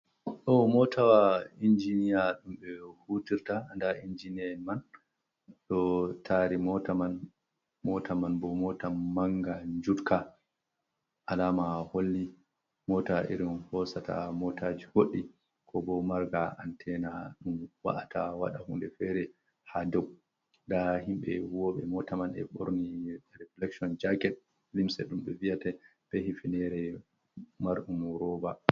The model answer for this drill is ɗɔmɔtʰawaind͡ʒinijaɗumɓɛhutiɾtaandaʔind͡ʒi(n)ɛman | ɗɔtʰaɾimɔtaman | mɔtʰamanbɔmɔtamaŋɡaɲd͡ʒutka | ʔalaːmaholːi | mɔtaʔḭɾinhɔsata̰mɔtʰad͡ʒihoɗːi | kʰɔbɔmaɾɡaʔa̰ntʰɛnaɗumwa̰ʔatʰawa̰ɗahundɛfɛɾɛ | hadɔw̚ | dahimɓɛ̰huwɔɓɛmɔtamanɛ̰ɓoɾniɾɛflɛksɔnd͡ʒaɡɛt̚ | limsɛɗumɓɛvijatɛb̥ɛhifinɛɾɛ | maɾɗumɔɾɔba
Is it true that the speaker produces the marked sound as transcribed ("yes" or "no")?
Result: yes